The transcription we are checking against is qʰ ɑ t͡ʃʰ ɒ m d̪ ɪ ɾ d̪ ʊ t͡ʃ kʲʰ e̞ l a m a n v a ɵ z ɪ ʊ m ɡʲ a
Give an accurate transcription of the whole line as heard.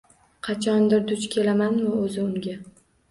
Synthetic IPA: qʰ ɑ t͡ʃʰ ɒ n d̪ ɪ ɾ d̪ ʊ t͡ʃ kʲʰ e̞ l a m a n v a ɵ z ɪ ʊ ŋ ɡʲ a

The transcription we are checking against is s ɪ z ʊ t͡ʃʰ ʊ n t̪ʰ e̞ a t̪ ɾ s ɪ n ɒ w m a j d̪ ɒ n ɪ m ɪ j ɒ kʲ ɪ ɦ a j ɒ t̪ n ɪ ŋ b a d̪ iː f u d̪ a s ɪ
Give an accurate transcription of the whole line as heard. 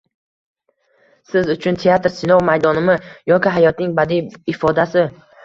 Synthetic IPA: s ɪ z ʊ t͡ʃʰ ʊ n t̪ʰ e̞ a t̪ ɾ s ɪ n ɒ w m a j d̪ ɒ n ɪ m ɪ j ɒ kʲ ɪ ɦ a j ɒ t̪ n ɪ ŋ b a d̪ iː f ɒ d̪ a s ɪ

